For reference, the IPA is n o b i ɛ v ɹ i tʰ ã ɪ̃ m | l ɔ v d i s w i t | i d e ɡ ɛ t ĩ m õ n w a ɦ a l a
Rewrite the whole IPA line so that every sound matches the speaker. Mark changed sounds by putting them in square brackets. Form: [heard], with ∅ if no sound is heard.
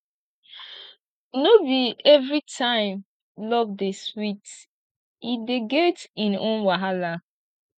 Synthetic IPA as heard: n o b i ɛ v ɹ i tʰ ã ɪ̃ m | l ɔ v d [e] s w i t | i d e ɡ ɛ t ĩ [n] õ n w a ɦ a l a